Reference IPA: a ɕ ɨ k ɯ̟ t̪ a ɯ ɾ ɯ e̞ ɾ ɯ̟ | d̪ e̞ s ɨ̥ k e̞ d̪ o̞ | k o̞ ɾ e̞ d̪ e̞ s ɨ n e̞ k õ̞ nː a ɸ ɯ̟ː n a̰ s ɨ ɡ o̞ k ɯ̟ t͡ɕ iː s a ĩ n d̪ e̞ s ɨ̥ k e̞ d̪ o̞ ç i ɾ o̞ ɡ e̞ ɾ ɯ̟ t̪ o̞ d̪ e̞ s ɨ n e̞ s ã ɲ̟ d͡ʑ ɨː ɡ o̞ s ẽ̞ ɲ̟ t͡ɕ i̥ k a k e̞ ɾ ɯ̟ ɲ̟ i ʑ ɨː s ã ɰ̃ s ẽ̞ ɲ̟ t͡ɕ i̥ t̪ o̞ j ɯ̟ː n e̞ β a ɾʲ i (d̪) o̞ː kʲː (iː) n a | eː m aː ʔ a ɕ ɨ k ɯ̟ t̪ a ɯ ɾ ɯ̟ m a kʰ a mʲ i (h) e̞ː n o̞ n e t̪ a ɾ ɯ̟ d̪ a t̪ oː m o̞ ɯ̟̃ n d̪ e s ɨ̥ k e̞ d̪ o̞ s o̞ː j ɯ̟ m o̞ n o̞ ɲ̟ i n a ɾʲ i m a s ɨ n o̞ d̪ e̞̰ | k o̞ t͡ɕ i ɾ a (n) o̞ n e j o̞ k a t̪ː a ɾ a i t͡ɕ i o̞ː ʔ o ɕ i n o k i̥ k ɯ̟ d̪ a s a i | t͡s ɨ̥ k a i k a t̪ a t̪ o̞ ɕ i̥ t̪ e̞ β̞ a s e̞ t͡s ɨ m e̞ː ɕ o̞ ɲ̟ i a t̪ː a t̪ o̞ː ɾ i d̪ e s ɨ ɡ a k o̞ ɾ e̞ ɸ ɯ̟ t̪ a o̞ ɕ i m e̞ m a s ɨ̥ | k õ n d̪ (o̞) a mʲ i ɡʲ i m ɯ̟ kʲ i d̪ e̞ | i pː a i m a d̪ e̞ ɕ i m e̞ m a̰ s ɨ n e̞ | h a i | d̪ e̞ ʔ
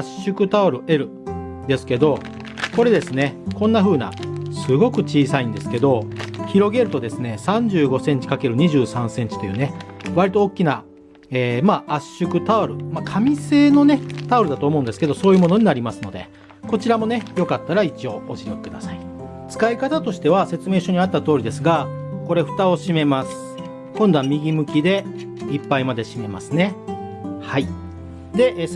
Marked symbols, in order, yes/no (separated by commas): no, no, no, no, yes